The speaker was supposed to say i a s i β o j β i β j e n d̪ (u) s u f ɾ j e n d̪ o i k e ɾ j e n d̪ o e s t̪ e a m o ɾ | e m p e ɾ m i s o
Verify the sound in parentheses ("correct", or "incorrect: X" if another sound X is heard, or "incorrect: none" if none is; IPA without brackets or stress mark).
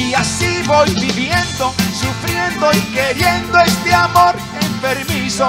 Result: incorrect: o